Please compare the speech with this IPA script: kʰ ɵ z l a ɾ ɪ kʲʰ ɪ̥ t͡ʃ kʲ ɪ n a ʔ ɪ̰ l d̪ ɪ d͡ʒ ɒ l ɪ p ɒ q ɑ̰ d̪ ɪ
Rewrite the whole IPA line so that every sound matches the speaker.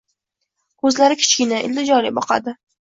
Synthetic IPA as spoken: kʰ ɵ z l a ɾ ɪ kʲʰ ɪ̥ t͡ʃ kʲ ɪ n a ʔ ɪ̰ l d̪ ɪ d͡ʒ ɒ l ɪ b ɒ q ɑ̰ d̪ ɪ